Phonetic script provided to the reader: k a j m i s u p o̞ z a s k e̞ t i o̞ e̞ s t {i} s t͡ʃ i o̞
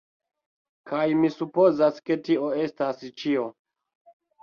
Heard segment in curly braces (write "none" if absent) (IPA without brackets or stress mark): a